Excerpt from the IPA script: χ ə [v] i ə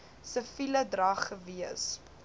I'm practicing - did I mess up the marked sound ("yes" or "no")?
no